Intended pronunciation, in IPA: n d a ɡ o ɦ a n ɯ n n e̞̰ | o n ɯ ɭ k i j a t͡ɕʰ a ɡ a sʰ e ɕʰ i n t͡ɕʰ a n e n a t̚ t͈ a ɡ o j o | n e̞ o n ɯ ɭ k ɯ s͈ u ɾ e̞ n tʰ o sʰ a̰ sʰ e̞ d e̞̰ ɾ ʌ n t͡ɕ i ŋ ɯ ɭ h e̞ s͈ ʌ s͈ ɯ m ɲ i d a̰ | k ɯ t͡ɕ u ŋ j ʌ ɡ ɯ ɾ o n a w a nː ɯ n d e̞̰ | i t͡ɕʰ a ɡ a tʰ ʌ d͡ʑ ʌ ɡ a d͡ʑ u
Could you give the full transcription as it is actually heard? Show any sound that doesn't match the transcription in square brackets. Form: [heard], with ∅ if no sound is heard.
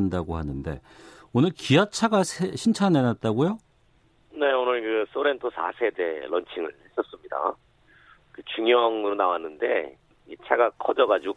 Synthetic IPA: n d a ɡ o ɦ a n ɯ n [d] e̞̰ | o n ɯ ɭ k i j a t͡ɕʰ a ɡ a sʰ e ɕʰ i n t͡ɕʰ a n e n a t̚ t͈ a ɡ o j o | n e̞ o n ɯ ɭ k ɯ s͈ [o] ɾ e̞ n tʰ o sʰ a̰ sʰ e̞ d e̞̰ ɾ ʌ n [t͡ɕʰ] i ŋ ɯ ɭ h e̞ s͈ ʌ s͈ ɯ m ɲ i d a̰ | k ɯ t͡ɕ u ŋ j ʌ [ŋ] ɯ ɾ o n a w a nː ɯ n d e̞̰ | i t͡ɕʰ a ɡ a [kʰ] ʌ d͡ʑ ʌ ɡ a d͡ʑ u